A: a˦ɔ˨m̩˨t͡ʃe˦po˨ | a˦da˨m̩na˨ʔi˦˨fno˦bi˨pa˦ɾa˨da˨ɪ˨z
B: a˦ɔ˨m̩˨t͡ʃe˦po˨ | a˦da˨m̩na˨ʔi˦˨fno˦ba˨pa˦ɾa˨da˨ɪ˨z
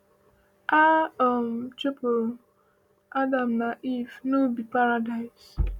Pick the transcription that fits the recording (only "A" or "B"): A